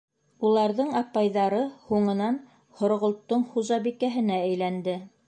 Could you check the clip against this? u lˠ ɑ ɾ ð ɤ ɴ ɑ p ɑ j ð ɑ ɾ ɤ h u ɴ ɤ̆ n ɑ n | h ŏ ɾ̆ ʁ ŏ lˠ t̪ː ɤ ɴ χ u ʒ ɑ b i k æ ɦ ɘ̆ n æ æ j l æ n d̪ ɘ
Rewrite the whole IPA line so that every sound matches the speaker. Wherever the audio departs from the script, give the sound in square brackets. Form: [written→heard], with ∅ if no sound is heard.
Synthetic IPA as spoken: u lˠ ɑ ɾ ð ɤ ɴ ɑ p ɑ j ð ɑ ɾ ɤ h u ɴ ɤ̆ n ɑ n | h ŏ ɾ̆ ʁ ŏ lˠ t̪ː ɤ ɴ χ u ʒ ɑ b i k æ ɦ ɘ̆ n æ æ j l æ n d̪ ɘ